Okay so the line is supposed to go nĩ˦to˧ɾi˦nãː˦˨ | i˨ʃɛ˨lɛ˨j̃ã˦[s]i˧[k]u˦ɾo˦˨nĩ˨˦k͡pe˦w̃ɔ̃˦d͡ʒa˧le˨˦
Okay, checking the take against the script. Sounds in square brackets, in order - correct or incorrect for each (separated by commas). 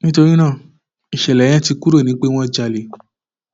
incorrect, correct